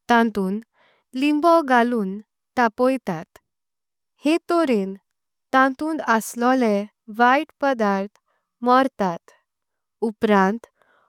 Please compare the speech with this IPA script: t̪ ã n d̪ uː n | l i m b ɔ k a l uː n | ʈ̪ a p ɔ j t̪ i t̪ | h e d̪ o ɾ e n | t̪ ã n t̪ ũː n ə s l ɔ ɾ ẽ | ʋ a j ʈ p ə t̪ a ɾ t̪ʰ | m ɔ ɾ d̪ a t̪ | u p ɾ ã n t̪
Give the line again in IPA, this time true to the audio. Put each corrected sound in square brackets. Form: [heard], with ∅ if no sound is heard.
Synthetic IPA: t̪ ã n [t̪] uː n | l i m b ɔ [ɡ] a l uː n | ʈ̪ a p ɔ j t̪ [a] t̪ | h e [t̪] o ɾ e n | t̪ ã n t̪ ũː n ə s l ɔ [l] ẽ | ʋ a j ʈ p ə [d̪] a ɾ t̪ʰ | m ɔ ɾ [t̪] a t̪ | u p ɾ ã n t̪